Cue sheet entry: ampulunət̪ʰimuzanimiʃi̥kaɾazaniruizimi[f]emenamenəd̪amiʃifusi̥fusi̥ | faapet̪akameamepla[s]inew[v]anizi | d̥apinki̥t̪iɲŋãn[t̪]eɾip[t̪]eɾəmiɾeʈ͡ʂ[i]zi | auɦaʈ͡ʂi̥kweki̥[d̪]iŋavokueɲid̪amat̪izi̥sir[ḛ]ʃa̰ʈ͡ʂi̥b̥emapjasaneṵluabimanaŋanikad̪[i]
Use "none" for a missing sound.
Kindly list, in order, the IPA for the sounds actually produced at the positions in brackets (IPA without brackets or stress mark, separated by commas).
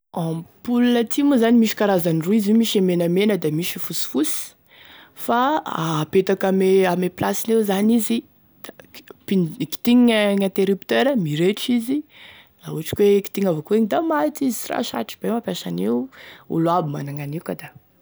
ʃ, s, z, t̪, t̪, i, t̪, a̰, a